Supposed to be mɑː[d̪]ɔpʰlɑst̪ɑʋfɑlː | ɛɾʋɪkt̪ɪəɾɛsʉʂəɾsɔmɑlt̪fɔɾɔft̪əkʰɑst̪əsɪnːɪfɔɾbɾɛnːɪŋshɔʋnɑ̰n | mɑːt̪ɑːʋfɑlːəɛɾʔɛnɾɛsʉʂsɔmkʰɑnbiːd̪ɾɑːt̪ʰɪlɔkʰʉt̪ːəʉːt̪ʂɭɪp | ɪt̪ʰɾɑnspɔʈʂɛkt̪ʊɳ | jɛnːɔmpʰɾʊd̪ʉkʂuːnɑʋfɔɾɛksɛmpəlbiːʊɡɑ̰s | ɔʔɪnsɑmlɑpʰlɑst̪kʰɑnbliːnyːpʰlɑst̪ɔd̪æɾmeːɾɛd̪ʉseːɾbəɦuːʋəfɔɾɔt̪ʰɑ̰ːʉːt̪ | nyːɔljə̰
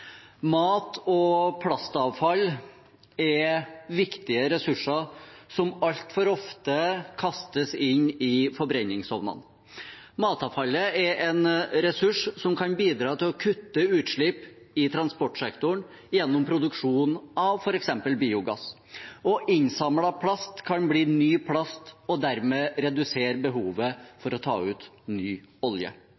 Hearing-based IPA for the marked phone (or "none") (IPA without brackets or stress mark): t̪